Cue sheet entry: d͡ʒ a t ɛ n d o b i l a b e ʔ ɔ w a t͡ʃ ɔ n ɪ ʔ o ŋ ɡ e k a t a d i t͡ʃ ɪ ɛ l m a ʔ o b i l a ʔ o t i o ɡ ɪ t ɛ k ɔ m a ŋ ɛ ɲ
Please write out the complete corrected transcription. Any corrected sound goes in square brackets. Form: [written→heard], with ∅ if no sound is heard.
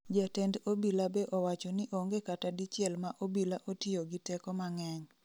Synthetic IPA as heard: d͡ʒ a t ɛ n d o b i l a b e ʔ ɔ w a t͡ʃ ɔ n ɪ ʔ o ŋ ɡ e k a t a d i t͡ʃ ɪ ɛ l m a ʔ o b i l a ʔ o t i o ɡ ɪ t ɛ k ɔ m a ŋ ɛ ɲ